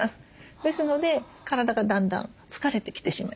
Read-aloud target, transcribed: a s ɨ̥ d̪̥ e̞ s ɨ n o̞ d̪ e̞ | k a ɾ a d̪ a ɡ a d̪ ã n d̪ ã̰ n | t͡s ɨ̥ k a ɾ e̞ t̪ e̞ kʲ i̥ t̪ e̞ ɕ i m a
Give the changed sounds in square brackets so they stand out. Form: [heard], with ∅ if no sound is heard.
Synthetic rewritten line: a s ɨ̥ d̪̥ e̞ s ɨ n o̞ d̪ e̞ | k a ɾ a d̪ a ɡ a d̪ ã n d̪ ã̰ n | t͡s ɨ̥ k a ɾ e̞ t̪ e̞ kʲ i̥ t̪ e̞ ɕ i m a

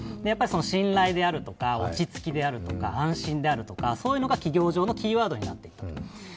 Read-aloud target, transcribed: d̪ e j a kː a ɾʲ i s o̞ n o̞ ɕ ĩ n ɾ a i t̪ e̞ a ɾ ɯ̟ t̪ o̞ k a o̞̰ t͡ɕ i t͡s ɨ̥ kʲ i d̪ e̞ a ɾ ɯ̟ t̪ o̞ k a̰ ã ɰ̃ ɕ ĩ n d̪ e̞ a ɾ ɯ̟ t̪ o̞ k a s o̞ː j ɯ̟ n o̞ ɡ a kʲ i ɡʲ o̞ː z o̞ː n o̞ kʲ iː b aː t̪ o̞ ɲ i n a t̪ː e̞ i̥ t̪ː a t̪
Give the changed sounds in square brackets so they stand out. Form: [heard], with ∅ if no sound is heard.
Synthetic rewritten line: d̪ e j a [pː] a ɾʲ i s o̞ n o̞ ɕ ĩ n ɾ a i [d̪] e̞ a ɾ ɯ̟ t̪ o̞ k a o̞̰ t͡ɕ i t͡s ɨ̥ kʲ i d̪ e̞ a ɾ ɯ̟ t̪ o̞ k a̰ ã ɰ̃ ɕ ĩ n d̪ e̞ a ɾ ɯ̟ t̪ o̞ k a s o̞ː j ɯ̟ n o̞ ɡ a kʲ i ɡʲ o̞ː [ʑ] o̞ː n o̞ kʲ iː [β] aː [d̪] o̞ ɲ i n a t̪ː e̞ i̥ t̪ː a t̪

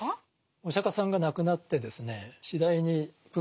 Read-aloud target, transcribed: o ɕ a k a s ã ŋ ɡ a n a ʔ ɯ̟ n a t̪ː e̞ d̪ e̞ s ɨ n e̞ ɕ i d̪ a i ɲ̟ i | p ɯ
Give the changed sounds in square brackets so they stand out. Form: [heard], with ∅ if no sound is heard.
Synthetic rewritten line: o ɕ a k a s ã ŋ ɡ a n a [k] ɯ̟ n a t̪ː e̞ d̪ e̞ s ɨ n e̞ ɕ i d̪ a i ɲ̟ i | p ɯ

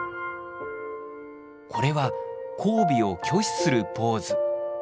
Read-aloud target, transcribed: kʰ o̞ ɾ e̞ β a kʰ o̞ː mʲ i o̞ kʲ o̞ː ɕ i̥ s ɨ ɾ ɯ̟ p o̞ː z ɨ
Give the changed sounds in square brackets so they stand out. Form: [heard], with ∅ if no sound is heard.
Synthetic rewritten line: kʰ o̞ ɾ e̞ β a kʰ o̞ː [bʲ] i o̞ kʲ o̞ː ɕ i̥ s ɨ ɾ ɯ̟ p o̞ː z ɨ

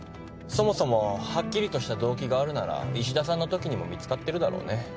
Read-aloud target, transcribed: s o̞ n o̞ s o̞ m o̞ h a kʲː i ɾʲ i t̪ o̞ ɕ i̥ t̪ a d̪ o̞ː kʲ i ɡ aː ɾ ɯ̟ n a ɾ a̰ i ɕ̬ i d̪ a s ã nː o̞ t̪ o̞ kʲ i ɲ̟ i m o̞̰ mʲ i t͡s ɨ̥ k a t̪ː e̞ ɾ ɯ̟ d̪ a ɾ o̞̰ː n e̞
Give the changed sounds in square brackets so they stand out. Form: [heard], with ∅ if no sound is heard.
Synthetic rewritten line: s o̞ [m] o̞ s o̞ m o̞ h a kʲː i ɾʲ i t̪ o̞ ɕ i̥ t̪ a d̪ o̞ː kʲ i ɡ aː ɾ ɯ̟ n a ɾ a̰ i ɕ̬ i d̪ a s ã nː o̞ t̪ o̞ kʲ i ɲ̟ i m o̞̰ mʲ i t͡s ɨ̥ k a t̪ː e̞ ɾ ɯ̟ d̪ a ɾ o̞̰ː n e̞

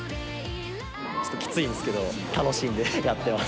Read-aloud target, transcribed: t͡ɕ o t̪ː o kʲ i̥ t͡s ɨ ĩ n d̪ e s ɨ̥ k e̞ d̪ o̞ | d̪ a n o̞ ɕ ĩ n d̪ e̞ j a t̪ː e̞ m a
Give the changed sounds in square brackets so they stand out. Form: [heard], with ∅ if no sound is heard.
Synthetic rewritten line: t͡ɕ o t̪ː o kʲ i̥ t͡s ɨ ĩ n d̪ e s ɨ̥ k e̞ d̪ o̞ | [t̪] a n o̞ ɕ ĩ n d̪ e̞ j a t̪ː e̞ m a

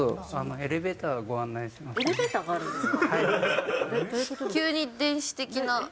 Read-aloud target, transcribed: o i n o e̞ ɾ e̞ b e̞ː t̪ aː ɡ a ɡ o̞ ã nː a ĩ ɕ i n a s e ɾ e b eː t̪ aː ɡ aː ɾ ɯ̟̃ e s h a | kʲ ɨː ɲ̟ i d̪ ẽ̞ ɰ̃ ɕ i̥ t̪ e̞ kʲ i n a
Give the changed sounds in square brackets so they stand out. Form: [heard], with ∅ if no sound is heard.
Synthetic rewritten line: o [a] n o e̞ ɾ e̞ b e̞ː t̪ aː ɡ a ɡ o̞ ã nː a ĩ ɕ i [m] a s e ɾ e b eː t̪ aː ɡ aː ɾ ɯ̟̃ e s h a | kʲ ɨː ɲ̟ i d̪ ẽ̞ ɰ̃ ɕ i̥ t̪ e̞ kʲ i n a

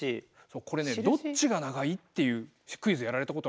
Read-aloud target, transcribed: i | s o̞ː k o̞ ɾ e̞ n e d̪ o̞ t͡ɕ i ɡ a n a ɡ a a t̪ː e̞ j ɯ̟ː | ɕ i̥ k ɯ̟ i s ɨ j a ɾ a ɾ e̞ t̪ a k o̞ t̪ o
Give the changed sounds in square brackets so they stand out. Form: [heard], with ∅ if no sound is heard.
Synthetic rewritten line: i | s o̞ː k o̞ ɾ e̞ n e d̪ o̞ t͡ɕ i ɡ a n a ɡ a [i] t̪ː e̞ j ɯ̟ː | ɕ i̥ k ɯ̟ i [z] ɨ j a ɾ a ɾ e̞ t̪ a k o̞ t̪ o

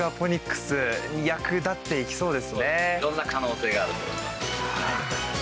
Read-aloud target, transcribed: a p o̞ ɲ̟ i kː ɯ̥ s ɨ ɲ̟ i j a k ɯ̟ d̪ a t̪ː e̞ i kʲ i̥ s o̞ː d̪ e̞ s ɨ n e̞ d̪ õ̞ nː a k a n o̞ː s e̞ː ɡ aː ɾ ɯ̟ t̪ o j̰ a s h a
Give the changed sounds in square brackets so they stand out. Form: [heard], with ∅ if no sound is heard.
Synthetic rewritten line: a p o̞ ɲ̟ i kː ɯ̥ s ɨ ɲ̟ i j a k ɯ̟ d̪ a t̪ː e̞ i kʲ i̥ s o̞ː d̪ e̞ s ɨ n e̞ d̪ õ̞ nː a k a n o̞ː s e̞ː ɡ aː ɾ ɯ̟ t̪ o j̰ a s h a

